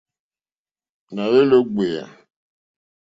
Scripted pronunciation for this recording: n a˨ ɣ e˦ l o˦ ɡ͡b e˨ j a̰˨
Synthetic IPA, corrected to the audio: n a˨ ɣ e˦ l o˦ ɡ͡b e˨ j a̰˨